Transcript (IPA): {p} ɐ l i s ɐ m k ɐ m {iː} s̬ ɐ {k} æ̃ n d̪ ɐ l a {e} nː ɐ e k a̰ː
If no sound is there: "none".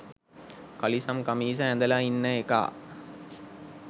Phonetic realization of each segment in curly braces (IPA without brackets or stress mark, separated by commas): k, iː, none, i